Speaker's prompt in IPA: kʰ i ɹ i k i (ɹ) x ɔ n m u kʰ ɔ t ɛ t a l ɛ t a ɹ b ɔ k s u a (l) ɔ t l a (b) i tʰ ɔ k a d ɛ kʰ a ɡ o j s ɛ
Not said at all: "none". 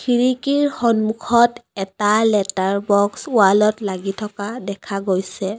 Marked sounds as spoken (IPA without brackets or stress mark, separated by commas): ɹ, l, ɡ